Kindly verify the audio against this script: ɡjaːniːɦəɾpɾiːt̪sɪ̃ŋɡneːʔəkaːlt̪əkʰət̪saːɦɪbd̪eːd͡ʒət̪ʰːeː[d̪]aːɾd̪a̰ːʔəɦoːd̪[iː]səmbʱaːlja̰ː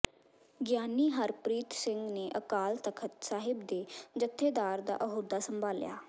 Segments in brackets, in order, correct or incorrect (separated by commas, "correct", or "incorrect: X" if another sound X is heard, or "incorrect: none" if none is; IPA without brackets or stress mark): correct, incorrect: aː